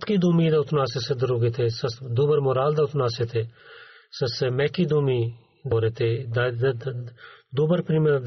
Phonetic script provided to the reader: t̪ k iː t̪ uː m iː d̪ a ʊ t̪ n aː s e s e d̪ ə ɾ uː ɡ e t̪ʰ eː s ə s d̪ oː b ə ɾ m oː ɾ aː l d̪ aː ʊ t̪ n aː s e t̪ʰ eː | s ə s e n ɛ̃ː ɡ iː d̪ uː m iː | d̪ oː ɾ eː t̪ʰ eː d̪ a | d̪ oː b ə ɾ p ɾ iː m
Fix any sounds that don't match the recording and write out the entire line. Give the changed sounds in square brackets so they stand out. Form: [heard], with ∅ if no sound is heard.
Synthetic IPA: t̪ k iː [d̪] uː m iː d̪ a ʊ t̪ n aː s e s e d̪ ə ɾ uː ɡ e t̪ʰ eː s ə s d̪ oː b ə ɾ m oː ɾ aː l d̪ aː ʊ t̪ n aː s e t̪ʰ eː | s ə s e [m] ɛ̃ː [k] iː d̪ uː m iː | d̪ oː ɾ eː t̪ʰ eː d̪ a | d̪ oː b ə ɾ p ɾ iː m